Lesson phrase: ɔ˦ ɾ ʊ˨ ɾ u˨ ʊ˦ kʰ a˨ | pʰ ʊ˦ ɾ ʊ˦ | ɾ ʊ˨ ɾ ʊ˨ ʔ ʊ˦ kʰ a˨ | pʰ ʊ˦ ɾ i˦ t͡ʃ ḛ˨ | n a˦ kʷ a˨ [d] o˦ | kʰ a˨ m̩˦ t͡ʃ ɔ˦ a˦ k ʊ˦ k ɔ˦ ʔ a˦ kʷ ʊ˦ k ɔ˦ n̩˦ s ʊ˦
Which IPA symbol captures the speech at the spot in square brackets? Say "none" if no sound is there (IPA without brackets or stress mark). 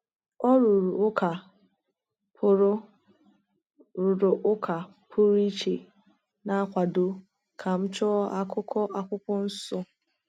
d